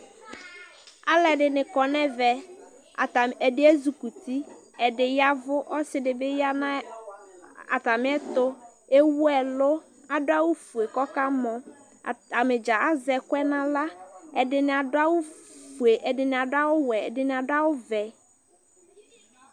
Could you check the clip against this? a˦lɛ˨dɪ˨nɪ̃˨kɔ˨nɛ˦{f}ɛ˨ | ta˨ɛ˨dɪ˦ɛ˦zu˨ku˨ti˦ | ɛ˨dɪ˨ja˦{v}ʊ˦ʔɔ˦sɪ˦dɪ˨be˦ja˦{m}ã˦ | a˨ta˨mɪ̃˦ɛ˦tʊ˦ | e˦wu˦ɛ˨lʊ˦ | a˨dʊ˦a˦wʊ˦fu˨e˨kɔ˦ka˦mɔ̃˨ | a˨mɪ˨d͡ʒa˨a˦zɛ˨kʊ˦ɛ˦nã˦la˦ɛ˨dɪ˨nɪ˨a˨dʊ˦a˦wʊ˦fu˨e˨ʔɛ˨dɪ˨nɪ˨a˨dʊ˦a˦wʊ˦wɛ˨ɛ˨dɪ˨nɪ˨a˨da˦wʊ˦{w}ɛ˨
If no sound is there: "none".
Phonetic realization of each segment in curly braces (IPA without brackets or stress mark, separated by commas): v, v, n, v